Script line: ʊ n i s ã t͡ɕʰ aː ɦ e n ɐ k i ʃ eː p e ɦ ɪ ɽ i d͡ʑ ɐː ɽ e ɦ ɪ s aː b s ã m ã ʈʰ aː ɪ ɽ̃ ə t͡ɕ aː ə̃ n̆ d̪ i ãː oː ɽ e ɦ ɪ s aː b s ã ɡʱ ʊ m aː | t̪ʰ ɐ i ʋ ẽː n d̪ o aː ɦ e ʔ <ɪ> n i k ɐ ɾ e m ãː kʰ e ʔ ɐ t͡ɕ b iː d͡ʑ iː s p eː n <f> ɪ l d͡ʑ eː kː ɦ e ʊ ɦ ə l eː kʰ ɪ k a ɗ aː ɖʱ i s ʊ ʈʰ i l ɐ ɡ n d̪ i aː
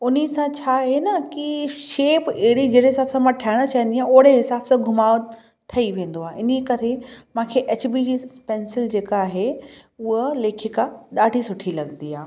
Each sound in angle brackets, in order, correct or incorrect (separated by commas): correct, incorrect